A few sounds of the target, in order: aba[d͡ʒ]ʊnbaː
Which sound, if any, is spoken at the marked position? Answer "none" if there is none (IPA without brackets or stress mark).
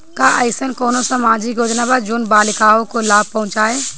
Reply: d͡ʒ